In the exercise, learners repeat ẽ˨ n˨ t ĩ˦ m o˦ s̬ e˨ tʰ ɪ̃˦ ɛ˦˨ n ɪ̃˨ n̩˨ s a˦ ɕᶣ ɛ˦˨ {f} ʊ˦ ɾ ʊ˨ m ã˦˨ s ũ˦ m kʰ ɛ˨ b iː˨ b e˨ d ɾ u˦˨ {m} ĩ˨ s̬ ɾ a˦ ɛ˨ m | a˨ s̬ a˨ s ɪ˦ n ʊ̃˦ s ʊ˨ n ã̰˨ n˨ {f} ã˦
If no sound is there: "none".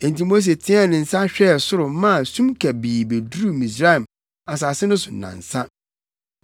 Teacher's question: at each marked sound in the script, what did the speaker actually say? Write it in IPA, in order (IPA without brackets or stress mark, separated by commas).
s, m, s